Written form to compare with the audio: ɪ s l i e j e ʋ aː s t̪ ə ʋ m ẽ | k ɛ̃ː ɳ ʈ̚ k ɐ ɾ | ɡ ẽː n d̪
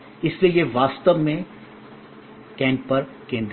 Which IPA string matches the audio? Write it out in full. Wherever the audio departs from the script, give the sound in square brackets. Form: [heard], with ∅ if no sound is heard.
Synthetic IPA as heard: ɪ s l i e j e ʋ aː s t̪ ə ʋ m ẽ | k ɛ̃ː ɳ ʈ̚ [p] ɐ ɾ | [k] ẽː n d̪